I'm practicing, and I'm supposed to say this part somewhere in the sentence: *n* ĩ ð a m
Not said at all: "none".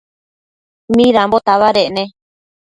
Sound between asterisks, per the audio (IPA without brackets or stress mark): m